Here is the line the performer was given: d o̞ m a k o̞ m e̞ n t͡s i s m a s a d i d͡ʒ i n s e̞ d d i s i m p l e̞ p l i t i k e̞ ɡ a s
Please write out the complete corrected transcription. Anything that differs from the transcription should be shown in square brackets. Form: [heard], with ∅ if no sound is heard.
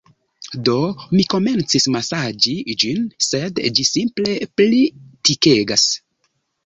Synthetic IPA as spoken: d o̞ m [i] k o̞ m e̞ n t͡s i s m a s a [d͡ʒ] i d͡ʒ i n s e̞ d [d͡ʒ] i s i m p l e̞ p l i t i k e̞ ɡ a s